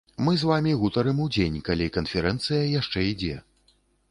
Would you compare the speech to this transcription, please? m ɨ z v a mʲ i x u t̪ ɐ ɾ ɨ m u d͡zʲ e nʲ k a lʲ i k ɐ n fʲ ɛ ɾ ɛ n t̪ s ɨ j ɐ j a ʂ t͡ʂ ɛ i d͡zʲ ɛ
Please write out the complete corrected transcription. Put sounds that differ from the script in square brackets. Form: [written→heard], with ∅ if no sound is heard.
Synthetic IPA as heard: m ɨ z v a mʲ i [x→ɣ] u t̪ ɐ ɾ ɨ m u d͡zʲ e nʲ k a lʲ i k ɐ n fʲ ɛ ɾ ɛ n t̪ s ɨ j ɐ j a ʂ t͡ʂ ɛ i d͡zʲ ɛ

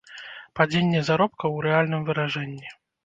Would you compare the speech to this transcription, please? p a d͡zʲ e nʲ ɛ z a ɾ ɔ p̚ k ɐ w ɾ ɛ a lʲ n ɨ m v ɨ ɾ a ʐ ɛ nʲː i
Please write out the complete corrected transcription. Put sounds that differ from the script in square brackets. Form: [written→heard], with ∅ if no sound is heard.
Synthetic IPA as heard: p a d͡zʲ e [nʲ→nʲː] ɛ z a ɾ ɔ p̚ k ɐ w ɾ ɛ a lʲ n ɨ m v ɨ ɾ a ʐ ɛ nʲː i

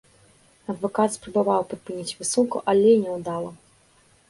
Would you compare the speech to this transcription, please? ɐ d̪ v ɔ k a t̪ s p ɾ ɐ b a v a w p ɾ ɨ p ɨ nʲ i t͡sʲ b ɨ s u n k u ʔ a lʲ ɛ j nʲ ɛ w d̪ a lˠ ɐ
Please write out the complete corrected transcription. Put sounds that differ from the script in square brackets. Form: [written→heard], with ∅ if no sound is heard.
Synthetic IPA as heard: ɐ d̪ v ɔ k a t̪ s p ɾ ɐ b a v a w p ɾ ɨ p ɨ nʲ i t͡sʲ [b→v] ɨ s u n k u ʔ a lʲ ɛ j nʲ ɛ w d̪ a lˠ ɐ

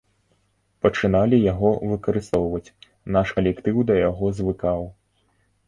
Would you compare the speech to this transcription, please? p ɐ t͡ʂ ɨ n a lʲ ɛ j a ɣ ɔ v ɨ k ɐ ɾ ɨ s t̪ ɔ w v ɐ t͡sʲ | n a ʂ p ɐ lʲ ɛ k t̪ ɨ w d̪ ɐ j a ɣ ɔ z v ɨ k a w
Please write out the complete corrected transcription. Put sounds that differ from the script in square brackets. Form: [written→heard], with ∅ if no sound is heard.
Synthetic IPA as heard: p ɐ t͡ʂ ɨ n a lʲ [ɛ→i] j a ɣ ɔ v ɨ k ɐ ɾ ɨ s t̪ ɔ w v ɐ t͡sʲ | n a ʂ [p→k] ɐ lʲ ɛ k t̪ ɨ w d̪ ɐ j a ɣ ɔ z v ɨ k a w

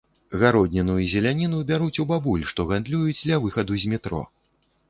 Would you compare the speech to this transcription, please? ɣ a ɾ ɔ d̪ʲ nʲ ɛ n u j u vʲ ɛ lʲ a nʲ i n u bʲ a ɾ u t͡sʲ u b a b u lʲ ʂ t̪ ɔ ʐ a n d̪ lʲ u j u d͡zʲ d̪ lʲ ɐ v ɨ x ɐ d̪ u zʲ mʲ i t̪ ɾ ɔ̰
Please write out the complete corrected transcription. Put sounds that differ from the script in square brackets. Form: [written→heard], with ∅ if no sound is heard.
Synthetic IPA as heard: ɣ a ɾ ɔ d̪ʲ nʲ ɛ n u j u [vʲ→zʲ] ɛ lʲ a nʲ i n u bʲ a ɾ u t͡sʲ u b a b u lʲ ʂ t̪ ɔ [ʐ→ɣ] a n d̪ lʲ u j u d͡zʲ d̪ lʲ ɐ v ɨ x ɐ d̪ u zʲ mʲ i t̪ ɾ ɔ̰

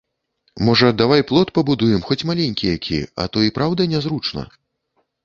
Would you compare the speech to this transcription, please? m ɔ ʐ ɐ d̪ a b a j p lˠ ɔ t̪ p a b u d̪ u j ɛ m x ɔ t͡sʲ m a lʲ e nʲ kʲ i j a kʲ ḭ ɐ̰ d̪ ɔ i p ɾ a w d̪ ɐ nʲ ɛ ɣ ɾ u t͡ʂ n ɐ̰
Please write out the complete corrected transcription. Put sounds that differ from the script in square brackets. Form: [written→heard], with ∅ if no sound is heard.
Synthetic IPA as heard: m ɔ ʐ ɐ d̪ a [b→v] a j p lˠ ɔ t̪ p [a→ɐ] b u d̪ u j ɛ m x ɔ t͡sʲ m a lʲ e nʲ kʲ i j a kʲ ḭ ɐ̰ [d̪→t̪] ɔ i p ɾ a w d̪ ɐ nʲ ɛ [ɣ→z] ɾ u t͡ʂ n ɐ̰

